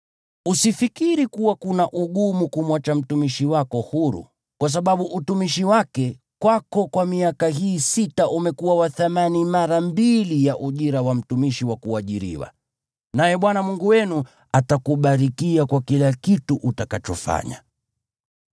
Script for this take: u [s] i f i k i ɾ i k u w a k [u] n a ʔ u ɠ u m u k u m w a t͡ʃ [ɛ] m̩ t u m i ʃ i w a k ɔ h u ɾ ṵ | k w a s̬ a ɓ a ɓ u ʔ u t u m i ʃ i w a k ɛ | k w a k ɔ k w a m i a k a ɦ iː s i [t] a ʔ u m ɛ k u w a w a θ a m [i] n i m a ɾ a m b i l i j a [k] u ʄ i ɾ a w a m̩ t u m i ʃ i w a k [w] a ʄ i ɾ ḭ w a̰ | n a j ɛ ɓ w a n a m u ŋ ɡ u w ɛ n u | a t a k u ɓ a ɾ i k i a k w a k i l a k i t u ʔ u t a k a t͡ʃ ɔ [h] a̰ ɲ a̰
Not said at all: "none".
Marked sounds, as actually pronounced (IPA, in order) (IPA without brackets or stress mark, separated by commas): s, u, a, t, a, ʔ, u, f